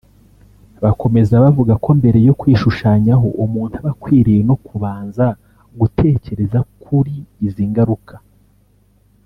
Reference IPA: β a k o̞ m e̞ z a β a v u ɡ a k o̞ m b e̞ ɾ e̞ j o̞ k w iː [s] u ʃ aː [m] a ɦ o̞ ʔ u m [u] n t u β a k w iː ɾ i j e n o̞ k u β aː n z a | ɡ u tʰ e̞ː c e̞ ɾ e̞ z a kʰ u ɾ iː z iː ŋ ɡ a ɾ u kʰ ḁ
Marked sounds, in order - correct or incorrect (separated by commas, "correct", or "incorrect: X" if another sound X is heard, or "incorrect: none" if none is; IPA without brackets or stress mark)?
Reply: incorrect: ʃ, incorrect: ɲ, incorrect: uː